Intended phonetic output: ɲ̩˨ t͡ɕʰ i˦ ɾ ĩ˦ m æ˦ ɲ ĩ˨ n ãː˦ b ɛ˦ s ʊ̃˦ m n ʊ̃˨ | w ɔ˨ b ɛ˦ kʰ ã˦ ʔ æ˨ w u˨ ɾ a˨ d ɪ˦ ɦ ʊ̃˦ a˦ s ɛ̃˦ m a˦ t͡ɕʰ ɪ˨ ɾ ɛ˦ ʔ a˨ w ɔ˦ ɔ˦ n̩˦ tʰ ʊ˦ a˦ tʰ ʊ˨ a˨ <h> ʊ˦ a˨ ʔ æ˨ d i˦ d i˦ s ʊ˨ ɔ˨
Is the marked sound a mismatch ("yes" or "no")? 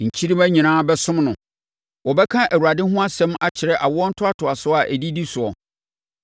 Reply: yes